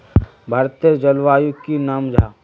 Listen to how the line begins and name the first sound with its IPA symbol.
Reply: bʱ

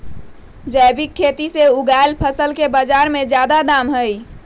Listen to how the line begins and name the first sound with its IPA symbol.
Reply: d͡ʒ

